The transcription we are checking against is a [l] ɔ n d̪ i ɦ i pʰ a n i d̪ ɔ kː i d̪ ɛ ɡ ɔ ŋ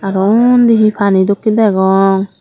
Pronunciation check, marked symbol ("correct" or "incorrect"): incorrect